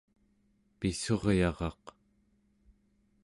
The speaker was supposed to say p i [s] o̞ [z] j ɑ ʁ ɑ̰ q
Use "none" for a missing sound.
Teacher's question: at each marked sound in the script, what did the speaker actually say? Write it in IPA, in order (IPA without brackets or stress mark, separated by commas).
s, ʁ